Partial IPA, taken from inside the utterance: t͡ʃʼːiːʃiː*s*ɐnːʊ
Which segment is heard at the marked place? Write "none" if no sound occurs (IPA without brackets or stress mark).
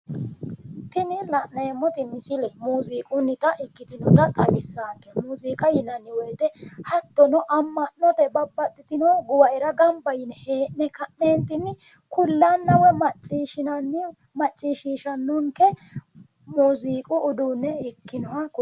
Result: ʃ